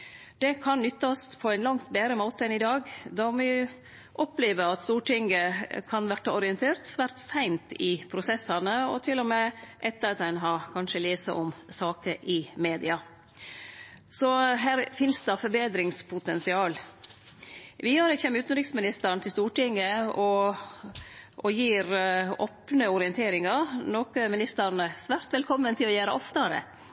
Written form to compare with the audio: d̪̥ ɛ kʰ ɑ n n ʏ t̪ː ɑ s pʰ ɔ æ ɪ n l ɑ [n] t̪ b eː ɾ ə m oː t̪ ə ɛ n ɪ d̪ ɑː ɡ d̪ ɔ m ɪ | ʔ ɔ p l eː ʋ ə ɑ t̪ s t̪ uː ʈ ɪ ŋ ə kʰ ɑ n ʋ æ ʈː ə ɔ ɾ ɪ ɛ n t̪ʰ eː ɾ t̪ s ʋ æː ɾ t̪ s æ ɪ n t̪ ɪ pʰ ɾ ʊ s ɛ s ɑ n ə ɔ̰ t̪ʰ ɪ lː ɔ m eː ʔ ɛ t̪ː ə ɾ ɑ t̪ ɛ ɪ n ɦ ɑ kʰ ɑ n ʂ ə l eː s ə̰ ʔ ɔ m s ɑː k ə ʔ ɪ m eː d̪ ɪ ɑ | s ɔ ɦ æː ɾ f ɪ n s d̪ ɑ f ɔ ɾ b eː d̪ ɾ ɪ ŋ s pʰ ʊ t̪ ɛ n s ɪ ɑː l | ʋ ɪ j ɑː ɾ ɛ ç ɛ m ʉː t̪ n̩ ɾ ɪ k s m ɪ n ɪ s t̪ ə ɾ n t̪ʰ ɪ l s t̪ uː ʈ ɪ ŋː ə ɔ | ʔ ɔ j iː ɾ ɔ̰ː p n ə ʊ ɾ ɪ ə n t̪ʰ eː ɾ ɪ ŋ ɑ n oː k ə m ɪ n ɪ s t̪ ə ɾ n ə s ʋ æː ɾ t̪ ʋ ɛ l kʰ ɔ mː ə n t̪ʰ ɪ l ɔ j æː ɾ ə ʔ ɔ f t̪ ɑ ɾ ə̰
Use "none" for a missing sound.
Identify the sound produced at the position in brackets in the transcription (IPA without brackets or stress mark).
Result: ŋ